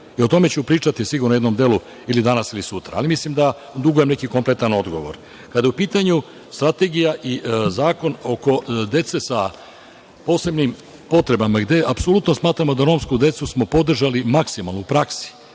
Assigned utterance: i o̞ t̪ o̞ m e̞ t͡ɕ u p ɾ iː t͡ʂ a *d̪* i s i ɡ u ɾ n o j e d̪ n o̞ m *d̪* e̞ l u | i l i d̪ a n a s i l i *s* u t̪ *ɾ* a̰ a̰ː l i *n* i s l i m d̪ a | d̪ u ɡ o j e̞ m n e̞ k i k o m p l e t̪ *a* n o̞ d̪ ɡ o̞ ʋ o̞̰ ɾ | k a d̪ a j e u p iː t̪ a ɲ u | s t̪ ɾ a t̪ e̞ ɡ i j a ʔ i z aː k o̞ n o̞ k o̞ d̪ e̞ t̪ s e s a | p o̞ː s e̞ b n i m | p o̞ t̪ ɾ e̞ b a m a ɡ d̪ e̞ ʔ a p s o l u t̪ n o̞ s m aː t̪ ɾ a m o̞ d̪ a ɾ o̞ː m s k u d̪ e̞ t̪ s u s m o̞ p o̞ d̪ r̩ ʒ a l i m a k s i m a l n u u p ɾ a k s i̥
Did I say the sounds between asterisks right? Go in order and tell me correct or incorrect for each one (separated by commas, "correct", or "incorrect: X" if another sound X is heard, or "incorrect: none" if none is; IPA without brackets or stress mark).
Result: incorrect: t̪, correct, correct, correct, incorrect: m, correct